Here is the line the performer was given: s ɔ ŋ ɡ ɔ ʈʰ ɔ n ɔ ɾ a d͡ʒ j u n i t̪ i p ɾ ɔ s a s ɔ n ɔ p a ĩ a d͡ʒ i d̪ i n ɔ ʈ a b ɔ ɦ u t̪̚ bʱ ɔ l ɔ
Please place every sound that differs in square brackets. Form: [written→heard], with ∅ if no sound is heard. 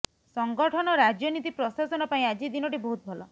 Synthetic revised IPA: s ɔ ŋ ɡ ɔ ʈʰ ɔ n ɔ ɾ a d͡ʒ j [u→ɔ] n i t̪ i p ɾ ɔ s a s ɔ n ɔ p a ĩ a d͡ʒ i d̪ i n ɔ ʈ [a→i] b ɔ ɦ u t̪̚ bʱ ɔ l ɔ